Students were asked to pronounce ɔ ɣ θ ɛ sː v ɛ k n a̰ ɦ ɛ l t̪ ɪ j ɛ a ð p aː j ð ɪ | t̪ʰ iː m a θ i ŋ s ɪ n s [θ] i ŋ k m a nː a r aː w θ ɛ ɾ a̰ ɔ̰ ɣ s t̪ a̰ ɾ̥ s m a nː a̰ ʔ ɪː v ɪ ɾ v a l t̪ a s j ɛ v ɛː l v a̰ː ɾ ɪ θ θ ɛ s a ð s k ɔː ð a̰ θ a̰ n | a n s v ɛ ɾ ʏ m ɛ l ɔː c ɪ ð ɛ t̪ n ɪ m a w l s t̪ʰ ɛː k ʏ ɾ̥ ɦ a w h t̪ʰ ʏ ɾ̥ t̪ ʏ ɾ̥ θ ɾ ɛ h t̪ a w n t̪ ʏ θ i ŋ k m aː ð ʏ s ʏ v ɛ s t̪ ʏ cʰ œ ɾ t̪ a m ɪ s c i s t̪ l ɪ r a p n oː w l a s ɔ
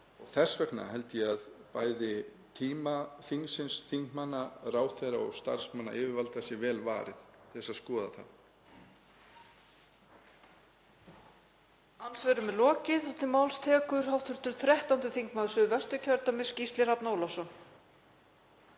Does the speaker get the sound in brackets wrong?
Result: no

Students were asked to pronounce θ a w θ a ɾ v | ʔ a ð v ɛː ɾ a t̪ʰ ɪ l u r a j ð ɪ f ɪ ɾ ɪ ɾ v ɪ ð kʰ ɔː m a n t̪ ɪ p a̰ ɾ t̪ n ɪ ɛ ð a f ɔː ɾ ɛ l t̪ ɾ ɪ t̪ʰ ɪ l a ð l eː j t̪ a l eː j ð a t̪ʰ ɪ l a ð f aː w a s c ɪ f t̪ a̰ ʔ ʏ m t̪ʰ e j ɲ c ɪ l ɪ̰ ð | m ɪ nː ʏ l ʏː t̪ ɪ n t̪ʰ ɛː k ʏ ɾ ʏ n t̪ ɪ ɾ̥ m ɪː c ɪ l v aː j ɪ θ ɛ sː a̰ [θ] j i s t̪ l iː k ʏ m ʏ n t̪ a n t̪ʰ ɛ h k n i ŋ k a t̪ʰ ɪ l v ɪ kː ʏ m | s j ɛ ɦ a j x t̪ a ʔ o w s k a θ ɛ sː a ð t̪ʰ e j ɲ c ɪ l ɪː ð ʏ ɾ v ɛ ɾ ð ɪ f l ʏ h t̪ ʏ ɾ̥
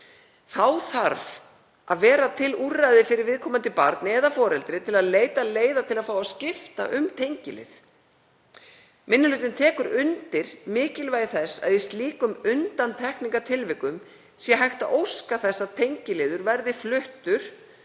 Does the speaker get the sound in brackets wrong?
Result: yes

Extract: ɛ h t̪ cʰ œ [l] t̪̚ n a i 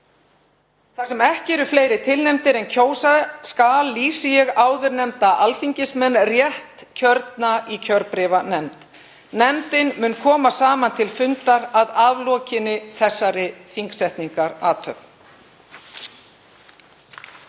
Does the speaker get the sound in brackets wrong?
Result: yes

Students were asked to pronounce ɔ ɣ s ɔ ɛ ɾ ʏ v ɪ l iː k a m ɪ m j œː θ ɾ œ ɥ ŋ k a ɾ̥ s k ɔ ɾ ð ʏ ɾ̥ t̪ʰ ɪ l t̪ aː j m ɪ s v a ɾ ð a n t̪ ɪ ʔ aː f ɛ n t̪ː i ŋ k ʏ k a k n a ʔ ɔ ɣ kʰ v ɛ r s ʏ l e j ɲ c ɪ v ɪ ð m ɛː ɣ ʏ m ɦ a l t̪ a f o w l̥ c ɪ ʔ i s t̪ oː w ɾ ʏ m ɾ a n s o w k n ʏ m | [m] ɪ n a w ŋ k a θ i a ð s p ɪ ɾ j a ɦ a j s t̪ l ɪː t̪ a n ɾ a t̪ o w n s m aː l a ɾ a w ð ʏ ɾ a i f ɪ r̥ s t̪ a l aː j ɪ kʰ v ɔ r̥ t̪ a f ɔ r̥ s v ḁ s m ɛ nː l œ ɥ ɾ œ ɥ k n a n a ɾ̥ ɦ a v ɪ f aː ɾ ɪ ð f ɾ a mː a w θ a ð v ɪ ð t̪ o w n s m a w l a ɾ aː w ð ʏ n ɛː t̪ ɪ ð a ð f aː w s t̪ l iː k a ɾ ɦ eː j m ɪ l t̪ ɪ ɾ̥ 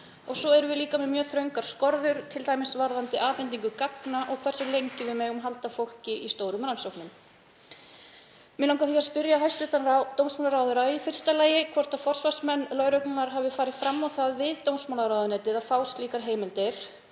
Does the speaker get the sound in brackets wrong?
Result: no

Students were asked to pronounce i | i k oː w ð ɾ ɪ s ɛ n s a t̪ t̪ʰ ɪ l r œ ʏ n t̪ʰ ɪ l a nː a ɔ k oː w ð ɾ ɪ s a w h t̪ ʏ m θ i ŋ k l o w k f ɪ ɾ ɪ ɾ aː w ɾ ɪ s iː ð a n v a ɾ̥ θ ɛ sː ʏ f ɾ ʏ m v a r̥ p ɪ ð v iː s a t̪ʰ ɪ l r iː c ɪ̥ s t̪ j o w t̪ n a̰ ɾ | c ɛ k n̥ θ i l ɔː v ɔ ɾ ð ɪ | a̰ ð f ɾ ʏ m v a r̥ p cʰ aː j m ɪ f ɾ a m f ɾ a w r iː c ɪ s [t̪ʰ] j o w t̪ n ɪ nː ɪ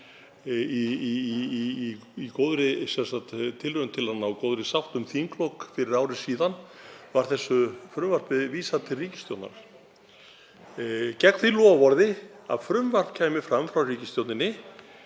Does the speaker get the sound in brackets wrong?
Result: yes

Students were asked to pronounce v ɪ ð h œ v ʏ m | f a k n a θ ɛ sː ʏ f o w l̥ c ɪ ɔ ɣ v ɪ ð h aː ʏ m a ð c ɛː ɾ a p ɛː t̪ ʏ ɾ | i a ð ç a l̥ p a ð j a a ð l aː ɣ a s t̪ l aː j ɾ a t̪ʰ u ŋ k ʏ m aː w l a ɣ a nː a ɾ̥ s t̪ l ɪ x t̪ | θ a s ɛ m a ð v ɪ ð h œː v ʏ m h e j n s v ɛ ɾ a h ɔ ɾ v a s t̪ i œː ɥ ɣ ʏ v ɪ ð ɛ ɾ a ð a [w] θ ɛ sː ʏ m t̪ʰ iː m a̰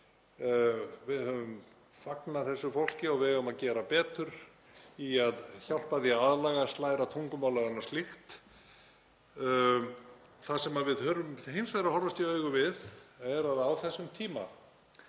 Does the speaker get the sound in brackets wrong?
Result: no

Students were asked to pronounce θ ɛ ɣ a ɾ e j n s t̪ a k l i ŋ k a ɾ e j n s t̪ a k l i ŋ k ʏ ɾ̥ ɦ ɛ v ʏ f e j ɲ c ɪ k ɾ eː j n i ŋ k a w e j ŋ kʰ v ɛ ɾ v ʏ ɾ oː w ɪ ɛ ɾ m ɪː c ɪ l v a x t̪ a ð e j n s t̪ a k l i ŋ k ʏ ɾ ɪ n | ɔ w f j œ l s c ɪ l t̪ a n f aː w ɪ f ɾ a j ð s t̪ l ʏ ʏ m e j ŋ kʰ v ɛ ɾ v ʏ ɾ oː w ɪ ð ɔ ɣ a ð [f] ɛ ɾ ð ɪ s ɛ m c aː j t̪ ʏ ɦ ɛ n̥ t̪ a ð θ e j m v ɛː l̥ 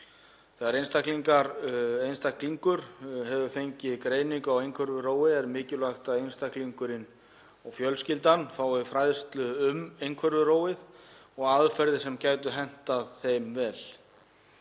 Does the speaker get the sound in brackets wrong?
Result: no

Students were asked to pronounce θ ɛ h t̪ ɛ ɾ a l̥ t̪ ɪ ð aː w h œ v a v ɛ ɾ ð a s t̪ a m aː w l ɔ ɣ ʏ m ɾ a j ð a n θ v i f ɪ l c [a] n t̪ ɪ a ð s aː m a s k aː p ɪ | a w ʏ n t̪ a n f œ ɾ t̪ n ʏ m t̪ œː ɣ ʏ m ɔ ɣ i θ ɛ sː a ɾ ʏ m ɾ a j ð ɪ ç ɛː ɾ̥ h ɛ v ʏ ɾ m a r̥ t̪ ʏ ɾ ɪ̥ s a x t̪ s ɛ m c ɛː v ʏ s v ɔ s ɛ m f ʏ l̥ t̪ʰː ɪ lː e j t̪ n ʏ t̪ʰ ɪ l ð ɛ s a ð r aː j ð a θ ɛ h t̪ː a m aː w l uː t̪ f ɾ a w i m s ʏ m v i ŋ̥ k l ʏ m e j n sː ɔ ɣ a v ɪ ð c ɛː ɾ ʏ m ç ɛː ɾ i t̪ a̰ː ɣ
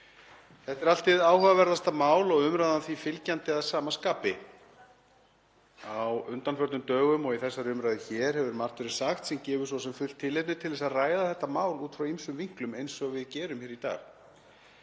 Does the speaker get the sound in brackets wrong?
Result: no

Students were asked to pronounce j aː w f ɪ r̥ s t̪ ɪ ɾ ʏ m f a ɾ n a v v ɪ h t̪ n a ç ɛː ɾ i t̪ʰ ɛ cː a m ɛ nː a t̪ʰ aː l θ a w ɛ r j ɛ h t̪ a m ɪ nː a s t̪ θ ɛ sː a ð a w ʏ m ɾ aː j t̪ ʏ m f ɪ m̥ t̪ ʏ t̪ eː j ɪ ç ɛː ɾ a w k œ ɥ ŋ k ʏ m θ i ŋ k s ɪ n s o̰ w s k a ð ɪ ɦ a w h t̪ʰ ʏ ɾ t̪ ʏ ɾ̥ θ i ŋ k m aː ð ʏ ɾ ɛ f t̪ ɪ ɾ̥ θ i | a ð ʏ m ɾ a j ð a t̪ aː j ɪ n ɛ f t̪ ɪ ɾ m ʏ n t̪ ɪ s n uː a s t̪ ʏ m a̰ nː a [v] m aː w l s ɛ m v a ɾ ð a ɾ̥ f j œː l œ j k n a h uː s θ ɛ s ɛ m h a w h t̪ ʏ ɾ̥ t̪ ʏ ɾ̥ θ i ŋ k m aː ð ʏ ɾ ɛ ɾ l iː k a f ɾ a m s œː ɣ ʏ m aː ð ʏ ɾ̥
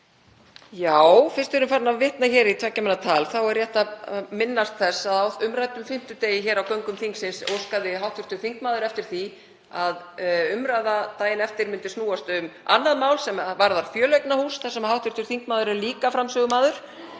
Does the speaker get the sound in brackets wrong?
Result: yes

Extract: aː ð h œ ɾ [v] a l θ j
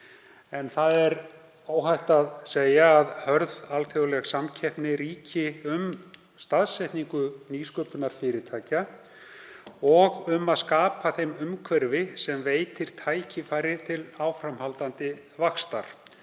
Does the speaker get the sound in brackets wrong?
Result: yes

